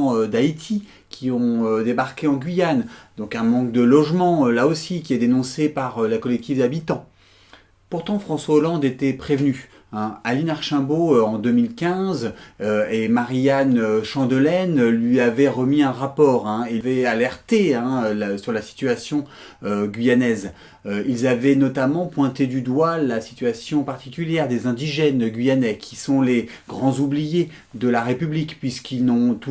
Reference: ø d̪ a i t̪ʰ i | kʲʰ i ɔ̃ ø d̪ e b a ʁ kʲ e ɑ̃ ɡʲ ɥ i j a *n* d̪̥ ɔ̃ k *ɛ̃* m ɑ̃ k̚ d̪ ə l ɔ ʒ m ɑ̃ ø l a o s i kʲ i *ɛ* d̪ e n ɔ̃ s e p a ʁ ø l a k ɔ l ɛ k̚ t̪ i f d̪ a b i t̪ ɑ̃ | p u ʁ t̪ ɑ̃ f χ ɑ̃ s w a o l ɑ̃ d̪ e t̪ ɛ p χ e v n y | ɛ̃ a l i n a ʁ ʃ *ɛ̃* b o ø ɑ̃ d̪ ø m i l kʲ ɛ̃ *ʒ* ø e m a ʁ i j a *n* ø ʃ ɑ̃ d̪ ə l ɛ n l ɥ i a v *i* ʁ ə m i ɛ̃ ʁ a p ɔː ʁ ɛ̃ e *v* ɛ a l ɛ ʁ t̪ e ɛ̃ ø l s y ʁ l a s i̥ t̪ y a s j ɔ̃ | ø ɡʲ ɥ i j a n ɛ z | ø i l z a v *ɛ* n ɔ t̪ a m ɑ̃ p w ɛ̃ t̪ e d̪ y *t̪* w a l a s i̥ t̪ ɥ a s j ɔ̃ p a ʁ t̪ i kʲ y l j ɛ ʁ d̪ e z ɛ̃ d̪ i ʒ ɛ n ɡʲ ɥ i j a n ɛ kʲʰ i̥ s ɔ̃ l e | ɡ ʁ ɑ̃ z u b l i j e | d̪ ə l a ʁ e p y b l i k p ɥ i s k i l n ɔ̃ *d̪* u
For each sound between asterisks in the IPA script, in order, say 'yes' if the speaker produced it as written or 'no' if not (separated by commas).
yes, yes, yes, yes, no, yes, no, yes, yes, no, no